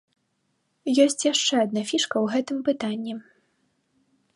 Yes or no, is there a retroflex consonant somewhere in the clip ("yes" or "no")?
yes